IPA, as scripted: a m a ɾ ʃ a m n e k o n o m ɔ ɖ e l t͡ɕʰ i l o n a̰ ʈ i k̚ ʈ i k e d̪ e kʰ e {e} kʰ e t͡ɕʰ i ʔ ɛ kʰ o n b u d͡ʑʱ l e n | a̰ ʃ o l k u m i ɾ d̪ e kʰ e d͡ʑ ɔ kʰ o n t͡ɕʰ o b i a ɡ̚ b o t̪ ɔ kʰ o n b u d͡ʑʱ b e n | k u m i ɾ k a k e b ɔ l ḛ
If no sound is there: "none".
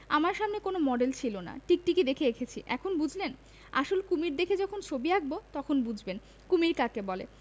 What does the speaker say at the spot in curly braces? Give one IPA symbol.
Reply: e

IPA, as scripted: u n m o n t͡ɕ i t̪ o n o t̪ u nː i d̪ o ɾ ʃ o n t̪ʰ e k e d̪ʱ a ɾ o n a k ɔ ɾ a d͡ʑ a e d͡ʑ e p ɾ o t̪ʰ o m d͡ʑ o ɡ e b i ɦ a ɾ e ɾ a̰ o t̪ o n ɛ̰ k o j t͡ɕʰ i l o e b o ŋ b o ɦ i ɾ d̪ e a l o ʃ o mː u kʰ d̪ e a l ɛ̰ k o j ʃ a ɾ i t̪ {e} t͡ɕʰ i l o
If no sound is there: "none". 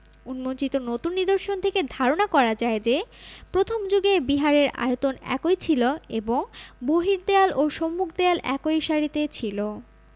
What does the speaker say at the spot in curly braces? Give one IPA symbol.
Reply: e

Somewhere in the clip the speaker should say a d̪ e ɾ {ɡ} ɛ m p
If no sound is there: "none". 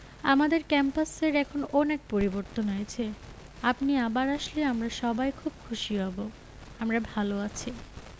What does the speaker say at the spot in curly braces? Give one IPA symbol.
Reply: k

